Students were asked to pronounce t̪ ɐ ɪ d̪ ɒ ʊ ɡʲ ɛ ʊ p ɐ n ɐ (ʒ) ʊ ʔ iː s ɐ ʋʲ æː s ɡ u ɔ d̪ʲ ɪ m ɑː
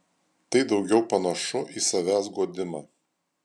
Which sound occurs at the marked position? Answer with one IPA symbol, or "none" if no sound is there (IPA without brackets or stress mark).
ʃ